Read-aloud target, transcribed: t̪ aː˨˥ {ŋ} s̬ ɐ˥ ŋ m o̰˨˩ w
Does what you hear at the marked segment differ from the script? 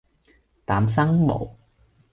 yes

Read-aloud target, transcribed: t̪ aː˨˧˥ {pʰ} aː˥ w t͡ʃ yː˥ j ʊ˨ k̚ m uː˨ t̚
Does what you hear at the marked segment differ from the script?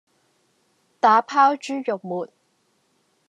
no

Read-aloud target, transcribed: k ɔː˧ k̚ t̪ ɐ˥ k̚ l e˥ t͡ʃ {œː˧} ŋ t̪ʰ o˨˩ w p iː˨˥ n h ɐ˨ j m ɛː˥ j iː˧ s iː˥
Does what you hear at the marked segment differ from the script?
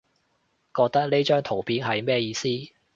yes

